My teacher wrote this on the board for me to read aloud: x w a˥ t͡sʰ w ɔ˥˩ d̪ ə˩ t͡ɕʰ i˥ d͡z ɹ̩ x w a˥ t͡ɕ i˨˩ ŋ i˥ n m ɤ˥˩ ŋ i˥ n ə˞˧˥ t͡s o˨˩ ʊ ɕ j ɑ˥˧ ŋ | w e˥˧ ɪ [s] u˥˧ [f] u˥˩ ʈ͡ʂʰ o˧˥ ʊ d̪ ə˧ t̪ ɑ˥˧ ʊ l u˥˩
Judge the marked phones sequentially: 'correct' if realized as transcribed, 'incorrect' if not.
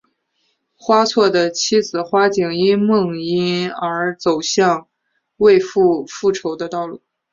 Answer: incorrect: f, correct

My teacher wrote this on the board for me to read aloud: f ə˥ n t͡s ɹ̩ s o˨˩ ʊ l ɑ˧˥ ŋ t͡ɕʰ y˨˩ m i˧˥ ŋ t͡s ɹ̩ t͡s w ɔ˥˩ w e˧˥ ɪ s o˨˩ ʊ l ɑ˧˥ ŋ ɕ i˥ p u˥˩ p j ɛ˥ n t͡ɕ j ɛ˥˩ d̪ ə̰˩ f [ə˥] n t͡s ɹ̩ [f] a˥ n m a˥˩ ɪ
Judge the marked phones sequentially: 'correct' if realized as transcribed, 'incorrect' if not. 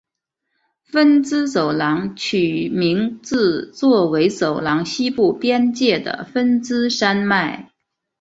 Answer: correct, incorrect: ʂ

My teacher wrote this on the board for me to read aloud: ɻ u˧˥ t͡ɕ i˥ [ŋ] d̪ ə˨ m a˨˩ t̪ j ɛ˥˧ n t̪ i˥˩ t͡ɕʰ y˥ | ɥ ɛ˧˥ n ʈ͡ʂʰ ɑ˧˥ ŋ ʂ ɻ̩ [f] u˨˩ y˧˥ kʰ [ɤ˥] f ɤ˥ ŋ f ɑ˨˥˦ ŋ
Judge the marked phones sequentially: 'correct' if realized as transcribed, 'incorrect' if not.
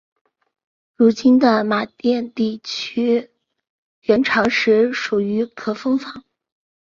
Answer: incorrect: n, incorrect: ʂ, incorrect: ɤ˨˩

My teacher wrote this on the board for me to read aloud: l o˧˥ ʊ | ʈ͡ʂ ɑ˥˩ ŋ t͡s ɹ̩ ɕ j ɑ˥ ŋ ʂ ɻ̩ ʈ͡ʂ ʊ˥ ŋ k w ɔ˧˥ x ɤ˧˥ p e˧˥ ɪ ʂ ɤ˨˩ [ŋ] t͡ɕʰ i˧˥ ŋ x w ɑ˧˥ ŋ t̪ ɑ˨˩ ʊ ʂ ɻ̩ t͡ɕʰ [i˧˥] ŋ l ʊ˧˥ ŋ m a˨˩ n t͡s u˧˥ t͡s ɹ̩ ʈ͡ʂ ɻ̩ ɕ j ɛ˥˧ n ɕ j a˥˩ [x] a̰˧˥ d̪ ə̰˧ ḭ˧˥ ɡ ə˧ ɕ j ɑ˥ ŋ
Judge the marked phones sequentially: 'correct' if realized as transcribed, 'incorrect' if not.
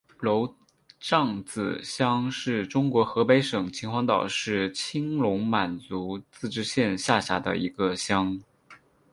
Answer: correct, incorrect: i˥, incorrect: ɕ

